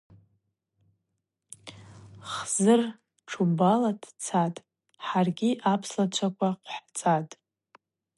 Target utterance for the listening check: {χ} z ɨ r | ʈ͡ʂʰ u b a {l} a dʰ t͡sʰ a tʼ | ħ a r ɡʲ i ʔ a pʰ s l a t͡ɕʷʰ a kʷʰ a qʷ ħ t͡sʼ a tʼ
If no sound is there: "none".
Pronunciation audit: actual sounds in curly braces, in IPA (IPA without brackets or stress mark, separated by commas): χ, l